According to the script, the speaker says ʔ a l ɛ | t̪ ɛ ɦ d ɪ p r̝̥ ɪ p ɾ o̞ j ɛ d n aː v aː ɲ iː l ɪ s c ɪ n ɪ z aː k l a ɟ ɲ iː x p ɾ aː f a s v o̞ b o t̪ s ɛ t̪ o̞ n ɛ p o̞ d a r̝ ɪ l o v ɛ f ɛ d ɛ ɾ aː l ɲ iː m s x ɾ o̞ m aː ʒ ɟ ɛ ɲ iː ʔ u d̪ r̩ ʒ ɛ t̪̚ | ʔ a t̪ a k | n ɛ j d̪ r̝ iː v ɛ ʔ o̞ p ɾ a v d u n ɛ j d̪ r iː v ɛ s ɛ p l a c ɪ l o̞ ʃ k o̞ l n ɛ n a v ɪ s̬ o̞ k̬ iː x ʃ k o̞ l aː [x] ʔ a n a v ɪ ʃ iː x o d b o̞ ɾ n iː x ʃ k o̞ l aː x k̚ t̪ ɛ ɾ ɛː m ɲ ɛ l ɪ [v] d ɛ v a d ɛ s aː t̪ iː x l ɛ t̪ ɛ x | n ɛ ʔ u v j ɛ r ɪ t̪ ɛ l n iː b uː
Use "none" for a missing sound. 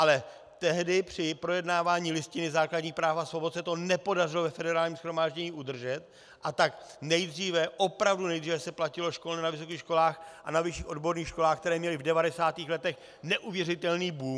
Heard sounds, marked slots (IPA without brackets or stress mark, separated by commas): x, v